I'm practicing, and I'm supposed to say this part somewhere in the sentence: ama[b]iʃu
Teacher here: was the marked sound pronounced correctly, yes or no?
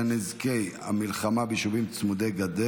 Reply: yes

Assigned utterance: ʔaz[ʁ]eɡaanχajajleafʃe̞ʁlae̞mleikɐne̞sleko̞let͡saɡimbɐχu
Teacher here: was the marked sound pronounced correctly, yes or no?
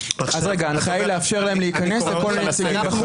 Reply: yes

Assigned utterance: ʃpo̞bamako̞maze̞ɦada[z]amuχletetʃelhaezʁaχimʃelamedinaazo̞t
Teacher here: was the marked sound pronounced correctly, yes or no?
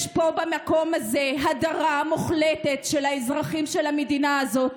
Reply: no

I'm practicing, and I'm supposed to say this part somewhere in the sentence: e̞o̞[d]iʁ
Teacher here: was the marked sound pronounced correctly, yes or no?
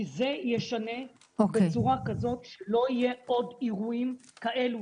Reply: yes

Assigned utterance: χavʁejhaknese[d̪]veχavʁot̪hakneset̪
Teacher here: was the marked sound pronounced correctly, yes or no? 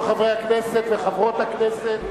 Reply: no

